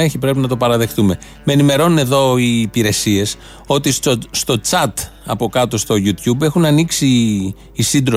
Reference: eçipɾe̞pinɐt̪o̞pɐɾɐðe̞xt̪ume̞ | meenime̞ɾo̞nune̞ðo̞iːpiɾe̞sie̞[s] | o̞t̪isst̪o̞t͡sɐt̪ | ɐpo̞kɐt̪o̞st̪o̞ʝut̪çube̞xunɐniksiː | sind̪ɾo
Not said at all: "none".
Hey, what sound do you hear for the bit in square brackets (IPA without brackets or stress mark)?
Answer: s